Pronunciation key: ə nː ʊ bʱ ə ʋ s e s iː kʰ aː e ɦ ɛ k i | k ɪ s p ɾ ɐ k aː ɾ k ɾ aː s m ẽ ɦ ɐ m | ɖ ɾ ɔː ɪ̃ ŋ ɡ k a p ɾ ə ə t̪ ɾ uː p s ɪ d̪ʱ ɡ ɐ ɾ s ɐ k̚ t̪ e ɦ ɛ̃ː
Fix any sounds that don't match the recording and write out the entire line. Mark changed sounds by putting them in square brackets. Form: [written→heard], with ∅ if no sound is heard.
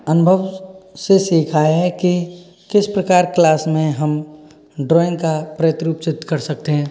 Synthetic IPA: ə [nː→n] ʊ bʱ ə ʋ s e s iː kʰ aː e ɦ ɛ k i | k ɪ s p ɾ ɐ k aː ɾ k [ɾ→l] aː s m ẽ ɦ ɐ m | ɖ ɾ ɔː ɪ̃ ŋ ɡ k a p ɾ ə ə t̪ ɾ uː p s ɪ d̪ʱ [ɡ→k] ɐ ɾ s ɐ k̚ t̪ e ɦ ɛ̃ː

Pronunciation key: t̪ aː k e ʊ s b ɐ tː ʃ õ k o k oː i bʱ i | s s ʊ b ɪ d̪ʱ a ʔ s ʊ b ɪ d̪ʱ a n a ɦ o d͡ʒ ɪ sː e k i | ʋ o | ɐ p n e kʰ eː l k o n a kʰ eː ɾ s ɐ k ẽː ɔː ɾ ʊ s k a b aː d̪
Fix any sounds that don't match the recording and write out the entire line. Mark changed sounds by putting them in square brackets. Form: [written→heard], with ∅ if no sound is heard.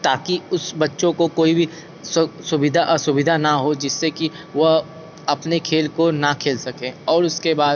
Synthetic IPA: t̪ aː k [e→i] ʊ s b ɐ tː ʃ õ k o k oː i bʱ i | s s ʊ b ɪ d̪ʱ a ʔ s ʊ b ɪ d̪ʱ a n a ɦ o d͡ʒ ɪ sː e k i | ʋ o | ɐ p n e kʰ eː l k o n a kʰ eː [ɾ→l] s ɐ k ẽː ɔː ɾ ʊ s k [a→e] b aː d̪

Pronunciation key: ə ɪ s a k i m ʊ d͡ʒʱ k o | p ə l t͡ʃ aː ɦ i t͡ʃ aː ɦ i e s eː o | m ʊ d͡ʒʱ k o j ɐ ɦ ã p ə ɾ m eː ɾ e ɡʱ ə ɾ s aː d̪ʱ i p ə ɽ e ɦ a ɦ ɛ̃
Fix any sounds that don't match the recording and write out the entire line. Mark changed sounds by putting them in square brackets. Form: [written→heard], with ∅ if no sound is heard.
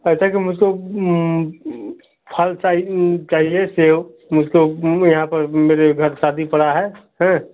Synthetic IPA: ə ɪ s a k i m ʊ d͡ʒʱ k o | [p→pʰ] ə l t͡ʃ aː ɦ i t͡ʃ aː ɦ i e s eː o | m ʊ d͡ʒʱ k o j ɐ ɦ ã p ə ɾ m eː ɾ e ɡʱ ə ɾ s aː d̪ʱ i p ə ɽ [e→a] ɦ [a→ɛ] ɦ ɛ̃

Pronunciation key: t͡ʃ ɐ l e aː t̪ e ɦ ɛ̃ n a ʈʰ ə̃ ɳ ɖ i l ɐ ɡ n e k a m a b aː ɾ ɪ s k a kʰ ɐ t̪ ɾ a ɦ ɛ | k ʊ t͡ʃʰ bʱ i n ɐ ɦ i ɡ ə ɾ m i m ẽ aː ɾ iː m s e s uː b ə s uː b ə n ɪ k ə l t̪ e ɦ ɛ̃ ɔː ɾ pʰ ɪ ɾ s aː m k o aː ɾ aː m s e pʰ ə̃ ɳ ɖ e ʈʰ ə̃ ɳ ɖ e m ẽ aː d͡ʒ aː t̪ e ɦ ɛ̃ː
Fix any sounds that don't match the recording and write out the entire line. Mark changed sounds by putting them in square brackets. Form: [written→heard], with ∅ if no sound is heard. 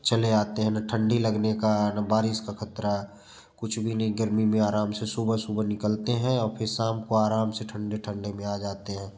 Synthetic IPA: t͡ʃ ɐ l e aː t̪ e ɦ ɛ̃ n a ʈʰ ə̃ ɳ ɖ i l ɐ ɡ n e k a [m→n] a b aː ɾ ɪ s k a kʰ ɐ t̪ ɾ a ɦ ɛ | k ʊ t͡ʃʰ bʱ i n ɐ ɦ i ɡ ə ɾ m i m ẽ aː ɾ [iː→aː] m s e s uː b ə s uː b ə n ɪ k ə l t̪ e ɦ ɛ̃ ɔː ɾ pʰ ɪ ɾ s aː m k o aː ɾ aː m s e [pʰ→ʈʰ] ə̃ ɳ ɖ e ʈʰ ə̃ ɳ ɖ e m ẽ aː d͡ʒ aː t̪ e ɦ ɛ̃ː

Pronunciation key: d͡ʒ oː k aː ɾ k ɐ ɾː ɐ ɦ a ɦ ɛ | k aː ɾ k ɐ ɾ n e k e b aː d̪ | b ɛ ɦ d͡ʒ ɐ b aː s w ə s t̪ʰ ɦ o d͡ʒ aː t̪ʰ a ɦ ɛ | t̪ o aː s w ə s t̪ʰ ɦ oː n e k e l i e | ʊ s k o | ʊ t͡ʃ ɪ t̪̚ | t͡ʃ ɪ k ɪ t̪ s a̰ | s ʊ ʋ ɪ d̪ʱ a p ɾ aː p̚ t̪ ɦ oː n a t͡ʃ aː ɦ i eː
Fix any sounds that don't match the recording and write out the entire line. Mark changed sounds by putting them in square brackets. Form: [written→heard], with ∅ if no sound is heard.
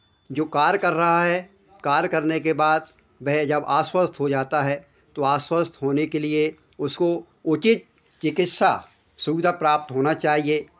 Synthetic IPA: d͡ʒ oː k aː ɾ k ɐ ɾː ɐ ɦ a ɦ ɛ | k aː ɾ k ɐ ɾ n e k e b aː d̪ | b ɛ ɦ d͡ʒ ɐ b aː s w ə s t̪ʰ ɦ o d͡ʒ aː [t̪ʰ→t̪] a ɦ ɛ | t̪ o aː s w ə s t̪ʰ ɦ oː n e k e l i e | ʊ s k o | ʊ t͡ʃ ɪ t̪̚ | t͡ʃ ɪ k ɪ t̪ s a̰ | s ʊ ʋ ɪ d̪ʱ a p ɾ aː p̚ t̪ ɦ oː n a t͡ʃ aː ɦ i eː

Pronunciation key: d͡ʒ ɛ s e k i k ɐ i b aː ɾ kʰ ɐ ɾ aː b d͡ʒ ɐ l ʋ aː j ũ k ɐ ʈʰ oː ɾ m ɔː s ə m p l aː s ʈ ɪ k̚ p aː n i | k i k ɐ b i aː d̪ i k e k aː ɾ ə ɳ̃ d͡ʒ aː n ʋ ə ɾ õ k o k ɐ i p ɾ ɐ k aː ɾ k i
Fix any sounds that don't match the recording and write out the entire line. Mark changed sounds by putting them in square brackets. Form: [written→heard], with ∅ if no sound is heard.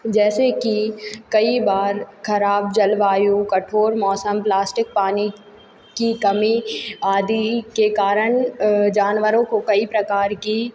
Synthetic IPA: d͡ʒ [ɛ→ɛː] s e k i k ɐ i b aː ɾ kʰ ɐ ɾ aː b d͡ʒ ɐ l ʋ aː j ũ k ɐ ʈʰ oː ɾ m ɔː s ə m p l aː s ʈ ɪ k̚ p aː n i | k i k ɐ [b→m] i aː d̪ i k e k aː ɾ ə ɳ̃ d͡ʒ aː n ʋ ə ɾ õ k o k ɐ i p ɾ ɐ k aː ɾ k i

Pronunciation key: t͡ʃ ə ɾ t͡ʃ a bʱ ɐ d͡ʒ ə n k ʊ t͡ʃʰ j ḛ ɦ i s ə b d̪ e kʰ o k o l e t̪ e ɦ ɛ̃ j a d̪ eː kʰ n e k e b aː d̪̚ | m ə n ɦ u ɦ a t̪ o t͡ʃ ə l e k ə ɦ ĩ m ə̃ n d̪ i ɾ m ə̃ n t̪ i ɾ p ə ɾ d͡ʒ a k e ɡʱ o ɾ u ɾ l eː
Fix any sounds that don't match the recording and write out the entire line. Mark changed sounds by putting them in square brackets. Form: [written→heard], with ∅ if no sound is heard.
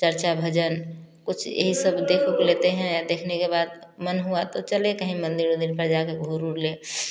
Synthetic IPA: t͡ʃ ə ɾ t͡ʃ a bʱ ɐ d͡ʒ ə n k ʊ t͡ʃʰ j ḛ ɦ i s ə b d̪ e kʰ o k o l e t̪ e ɦ ɛ̃ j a d̪ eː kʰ n e k e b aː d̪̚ | m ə n ɦ u [ɦ→∅] a t̪ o t͡ʃ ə l e k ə ɦ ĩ m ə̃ n d̪ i ɾ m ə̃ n [t̪→d̪] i ɾ p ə ɾ d͡ʒ a k e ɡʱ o ɾ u ɾ l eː

